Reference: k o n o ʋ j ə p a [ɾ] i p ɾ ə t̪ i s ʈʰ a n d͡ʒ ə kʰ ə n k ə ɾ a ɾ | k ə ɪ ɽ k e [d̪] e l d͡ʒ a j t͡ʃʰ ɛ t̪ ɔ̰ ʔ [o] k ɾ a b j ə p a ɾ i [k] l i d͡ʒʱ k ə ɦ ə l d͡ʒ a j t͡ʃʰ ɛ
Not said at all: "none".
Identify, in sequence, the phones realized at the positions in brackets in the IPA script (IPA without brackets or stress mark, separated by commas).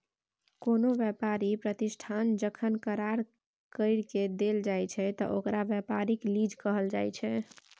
ɾ, d̪, o, k